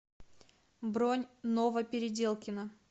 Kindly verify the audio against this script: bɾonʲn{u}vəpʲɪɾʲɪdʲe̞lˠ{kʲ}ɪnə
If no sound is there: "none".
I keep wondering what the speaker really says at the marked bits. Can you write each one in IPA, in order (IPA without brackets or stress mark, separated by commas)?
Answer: o, kʲ